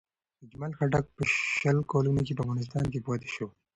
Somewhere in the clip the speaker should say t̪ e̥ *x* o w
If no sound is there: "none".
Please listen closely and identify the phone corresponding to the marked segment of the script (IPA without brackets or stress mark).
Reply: ʃ